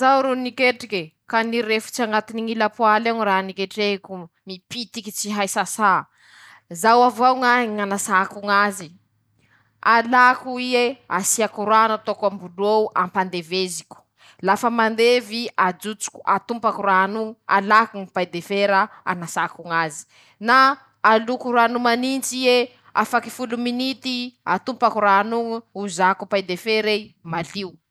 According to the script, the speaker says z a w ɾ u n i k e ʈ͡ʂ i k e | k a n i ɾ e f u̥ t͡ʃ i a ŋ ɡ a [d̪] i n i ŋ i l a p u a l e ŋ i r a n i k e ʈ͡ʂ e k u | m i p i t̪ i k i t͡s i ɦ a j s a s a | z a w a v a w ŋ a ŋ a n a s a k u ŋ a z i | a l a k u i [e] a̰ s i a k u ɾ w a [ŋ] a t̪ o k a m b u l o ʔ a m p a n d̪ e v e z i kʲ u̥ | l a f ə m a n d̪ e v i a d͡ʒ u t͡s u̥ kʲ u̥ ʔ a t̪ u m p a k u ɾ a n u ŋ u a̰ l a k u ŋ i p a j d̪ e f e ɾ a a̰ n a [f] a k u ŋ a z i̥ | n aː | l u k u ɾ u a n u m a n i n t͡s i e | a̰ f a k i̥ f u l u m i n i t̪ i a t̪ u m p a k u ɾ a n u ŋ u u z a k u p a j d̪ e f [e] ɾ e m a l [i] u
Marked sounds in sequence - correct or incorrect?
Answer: incorrect: t̪, correct, incorrect: n, incorrect: s, correct, correct

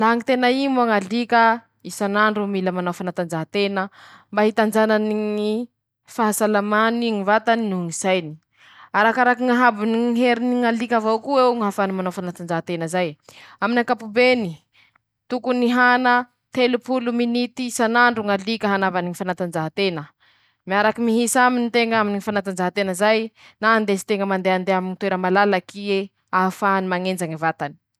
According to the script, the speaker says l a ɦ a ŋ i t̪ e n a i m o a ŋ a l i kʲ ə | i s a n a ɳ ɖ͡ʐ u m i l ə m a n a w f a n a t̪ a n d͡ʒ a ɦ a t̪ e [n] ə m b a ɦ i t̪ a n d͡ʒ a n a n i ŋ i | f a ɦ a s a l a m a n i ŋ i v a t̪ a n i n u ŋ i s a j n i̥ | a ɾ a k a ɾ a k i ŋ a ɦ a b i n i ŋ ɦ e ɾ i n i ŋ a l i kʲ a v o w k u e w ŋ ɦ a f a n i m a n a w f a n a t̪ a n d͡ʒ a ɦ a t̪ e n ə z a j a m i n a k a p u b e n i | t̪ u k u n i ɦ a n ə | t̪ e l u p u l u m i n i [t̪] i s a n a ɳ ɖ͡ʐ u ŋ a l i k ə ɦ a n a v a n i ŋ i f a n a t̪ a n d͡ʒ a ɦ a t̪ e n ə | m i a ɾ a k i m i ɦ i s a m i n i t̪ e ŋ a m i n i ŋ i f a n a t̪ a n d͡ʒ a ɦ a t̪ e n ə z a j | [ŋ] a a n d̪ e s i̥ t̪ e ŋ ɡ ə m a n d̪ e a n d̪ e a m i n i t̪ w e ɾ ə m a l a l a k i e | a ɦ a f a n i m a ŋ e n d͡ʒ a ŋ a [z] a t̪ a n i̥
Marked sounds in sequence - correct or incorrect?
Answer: correct, correct, incorrect: n, incorrect: v

